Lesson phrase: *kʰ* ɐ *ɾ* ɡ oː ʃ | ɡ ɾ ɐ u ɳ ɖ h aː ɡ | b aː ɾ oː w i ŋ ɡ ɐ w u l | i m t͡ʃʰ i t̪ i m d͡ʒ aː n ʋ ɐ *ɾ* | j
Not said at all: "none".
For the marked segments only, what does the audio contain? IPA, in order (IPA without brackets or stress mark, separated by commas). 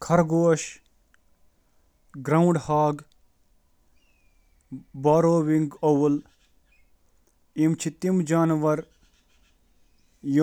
kʰ, ɾ, ɾ